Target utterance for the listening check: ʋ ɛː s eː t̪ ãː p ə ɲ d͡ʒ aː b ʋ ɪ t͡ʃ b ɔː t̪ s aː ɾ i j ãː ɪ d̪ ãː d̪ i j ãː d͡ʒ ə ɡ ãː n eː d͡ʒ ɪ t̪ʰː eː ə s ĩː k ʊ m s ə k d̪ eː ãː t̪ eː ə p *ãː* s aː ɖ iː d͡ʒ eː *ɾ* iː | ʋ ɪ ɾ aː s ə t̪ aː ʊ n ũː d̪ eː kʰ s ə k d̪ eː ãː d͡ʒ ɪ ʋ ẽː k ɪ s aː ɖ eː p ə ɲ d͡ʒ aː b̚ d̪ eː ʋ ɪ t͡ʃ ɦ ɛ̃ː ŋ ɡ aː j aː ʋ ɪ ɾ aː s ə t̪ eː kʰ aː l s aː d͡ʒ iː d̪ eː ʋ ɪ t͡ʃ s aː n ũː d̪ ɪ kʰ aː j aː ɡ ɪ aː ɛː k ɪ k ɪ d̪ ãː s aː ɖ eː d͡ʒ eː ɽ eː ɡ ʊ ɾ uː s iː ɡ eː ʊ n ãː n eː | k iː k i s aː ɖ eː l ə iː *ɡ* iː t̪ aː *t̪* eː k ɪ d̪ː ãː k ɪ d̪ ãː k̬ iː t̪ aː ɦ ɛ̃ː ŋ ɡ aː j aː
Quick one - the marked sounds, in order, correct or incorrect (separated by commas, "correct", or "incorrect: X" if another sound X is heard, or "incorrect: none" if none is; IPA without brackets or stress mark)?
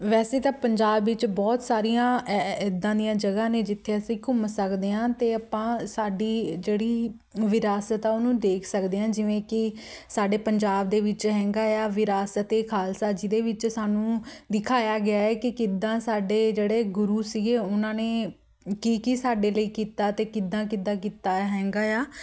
correct, incorrect: ɽ, incorrect: k, correct